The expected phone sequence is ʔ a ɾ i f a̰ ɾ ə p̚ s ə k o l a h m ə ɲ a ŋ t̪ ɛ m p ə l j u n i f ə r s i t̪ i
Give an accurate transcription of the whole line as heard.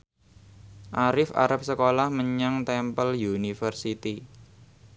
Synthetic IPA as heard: ʔ a ɾ ɪ f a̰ ɾ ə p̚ s ə k o l a h m ə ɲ a ŋ t̪ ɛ m p ə l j u n i f ə r s i t̪ i